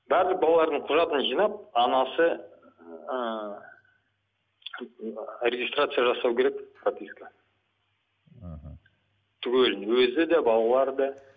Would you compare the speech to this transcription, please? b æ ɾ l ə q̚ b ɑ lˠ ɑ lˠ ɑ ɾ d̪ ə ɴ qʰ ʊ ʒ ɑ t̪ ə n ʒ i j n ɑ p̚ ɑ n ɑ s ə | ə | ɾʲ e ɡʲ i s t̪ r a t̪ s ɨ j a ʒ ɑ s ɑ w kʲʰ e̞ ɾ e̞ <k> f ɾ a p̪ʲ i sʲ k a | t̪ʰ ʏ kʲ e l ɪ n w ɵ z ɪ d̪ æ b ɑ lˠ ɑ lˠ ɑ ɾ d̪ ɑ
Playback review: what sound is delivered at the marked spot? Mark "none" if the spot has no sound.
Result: k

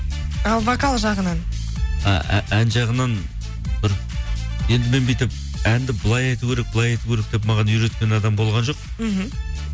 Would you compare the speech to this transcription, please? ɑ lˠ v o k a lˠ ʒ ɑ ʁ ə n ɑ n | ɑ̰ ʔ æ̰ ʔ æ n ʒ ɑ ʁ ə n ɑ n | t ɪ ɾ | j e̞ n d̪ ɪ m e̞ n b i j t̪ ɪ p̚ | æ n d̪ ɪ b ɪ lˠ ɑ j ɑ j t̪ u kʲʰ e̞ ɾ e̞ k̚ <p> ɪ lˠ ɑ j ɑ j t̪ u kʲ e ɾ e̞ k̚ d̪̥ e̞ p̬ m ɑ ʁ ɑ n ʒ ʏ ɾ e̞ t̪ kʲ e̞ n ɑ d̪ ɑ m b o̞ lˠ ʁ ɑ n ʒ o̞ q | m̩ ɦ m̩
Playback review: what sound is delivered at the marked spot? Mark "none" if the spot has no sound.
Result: b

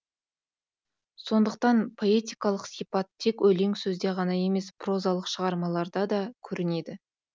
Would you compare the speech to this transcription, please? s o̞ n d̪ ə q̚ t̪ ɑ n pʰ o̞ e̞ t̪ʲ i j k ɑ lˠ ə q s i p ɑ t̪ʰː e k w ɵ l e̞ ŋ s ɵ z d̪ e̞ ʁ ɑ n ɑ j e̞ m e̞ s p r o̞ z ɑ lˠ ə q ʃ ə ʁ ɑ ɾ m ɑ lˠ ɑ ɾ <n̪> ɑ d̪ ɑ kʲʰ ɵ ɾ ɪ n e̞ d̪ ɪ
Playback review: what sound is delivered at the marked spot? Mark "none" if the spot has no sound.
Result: d̪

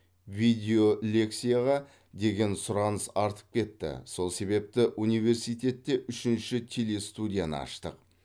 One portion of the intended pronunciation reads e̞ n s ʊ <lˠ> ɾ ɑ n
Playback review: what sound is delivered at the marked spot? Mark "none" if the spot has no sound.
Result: none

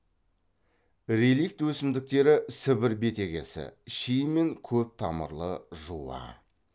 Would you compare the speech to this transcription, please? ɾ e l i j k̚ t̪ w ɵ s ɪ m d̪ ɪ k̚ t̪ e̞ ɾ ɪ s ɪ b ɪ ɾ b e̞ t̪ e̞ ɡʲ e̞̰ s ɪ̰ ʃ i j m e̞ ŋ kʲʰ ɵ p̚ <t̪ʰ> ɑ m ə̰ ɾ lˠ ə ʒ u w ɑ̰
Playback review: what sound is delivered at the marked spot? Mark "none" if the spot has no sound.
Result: t̪ʰ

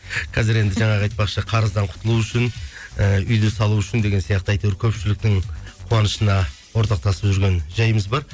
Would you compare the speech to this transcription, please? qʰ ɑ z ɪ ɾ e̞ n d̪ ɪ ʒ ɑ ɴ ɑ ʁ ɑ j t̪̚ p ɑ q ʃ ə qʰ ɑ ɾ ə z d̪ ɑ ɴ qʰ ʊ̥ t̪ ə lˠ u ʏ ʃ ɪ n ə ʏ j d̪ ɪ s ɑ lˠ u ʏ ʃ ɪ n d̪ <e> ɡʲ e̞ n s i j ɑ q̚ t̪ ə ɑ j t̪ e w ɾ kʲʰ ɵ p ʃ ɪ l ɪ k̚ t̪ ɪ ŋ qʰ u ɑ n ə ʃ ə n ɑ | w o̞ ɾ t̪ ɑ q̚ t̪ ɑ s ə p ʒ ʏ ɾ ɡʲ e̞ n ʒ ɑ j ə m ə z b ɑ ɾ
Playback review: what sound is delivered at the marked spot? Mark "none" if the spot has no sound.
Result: e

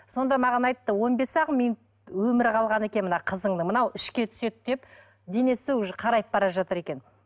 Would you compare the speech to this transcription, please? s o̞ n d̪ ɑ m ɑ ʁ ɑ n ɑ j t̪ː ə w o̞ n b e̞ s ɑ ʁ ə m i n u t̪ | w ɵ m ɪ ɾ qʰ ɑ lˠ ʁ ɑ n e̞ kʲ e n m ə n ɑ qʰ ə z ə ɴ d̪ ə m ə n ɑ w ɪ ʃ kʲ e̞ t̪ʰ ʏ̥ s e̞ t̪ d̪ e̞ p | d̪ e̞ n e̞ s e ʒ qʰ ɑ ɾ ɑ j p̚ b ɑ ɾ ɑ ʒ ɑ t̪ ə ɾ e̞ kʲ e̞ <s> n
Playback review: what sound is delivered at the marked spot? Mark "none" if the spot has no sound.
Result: none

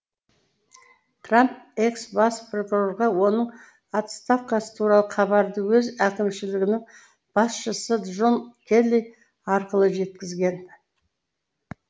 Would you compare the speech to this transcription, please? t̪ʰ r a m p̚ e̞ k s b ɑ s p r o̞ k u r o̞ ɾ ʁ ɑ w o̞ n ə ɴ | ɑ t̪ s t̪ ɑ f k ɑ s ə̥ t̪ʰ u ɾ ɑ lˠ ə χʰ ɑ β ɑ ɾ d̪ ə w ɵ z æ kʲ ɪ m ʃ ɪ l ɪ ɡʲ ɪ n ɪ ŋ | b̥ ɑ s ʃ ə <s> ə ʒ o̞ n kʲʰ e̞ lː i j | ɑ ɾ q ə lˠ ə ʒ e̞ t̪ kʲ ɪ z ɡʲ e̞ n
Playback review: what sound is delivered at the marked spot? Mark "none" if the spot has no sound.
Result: s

